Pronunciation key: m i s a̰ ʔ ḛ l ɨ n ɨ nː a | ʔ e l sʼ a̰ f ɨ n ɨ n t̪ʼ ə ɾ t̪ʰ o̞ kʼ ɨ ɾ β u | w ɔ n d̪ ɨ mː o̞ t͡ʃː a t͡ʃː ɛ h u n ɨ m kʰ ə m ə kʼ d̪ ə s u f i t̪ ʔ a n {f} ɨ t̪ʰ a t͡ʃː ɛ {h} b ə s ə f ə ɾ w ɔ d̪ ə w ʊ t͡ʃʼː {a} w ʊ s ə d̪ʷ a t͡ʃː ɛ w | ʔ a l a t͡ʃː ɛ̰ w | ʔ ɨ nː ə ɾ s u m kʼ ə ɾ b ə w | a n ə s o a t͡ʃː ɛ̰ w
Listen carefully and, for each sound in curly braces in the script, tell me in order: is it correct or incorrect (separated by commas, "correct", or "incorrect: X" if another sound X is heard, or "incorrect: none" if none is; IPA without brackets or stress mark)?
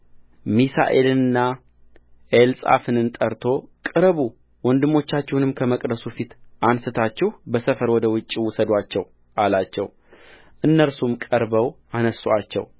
incorrect: s, correct, incorrect: i